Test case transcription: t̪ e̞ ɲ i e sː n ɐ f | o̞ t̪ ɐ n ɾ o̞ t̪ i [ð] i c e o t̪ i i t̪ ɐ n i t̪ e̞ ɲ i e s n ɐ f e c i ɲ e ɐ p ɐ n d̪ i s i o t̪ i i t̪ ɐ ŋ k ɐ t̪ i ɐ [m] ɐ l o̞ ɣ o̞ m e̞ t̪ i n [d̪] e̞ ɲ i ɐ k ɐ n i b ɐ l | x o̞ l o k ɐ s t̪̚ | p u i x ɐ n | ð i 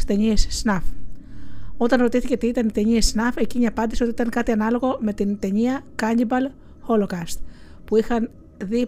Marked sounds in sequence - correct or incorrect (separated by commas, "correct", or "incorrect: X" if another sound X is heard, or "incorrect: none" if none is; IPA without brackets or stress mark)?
incorrect: θ, incorrect: n, incorrect: t̪